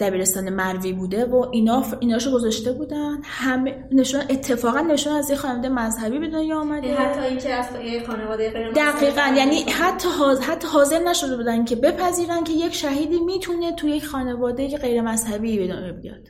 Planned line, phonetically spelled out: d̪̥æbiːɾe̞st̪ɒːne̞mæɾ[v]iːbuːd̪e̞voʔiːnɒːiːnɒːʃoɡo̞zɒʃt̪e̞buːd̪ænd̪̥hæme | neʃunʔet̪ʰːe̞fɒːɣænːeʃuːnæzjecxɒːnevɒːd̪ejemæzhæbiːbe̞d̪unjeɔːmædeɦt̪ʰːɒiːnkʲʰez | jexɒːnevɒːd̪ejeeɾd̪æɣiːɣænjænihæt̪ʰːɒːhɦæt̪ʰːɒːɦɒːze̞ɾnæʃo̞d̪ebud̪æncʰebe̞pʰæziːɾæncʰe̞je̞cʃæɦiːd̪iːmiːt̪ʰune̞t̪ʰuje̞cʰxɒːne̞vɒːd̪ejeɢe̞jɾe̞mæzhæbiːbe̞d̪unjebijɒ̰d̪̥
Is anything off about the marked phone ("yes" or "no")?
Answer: no